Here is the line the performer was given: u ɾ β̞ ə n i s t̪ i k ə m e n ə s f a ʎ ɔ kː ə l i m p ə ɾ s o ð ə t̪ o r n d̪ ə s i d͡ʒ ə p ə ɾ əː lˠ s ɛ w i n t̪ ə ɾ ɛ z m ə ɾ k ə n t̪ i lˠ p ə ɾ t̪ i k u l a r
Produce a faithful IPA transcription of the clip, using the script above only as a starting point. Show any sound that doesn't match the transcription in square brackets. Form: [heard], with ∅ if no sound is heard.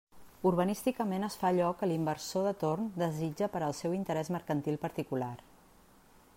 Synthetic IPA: u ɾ β̞ ə n i s t̪ i k ə m e n ə s f a ʎ ɔ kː ə l i m [b] ə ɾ s o ð ə t̪ o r n d̪ ə [z] i d͡ʒ ə p ə ɾ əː lˠ s ɛ w i n t̪ ə ɾ ɛ z m ə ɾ k ə n t̪ i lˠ p ə ɾ t̪ i k u l a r

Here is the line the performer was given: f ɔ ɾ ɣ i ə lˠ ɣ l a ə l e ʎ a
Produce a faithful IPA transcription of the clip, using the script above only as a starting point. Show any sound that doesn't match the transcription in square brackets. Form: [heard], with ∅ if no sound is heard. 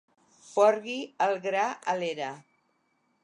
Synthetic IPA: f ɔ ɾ ɣ i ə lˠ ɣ [ɾ] a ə l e [ɾ] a

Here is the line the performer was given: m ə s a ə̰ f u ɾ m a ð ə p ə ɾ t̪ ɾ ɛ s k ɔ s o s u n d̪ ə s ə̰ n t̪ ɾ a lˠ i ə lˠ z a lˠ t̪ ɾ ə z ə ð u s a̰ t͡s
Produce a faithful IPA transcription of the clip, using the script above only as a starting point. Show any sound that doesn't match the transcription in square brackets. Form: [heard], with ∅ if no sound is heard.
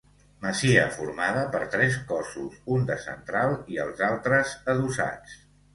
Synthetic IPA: m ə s [i] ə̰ f u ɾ m a ð ə p ə ɾ t̪ ɾ ɛ s k ɔ s [u] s u n d̪ ə s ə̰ n t̪ ɾ a lˠ i ə lˠ z a lˠ t̪ ɾ ə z ə ð u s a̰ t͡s

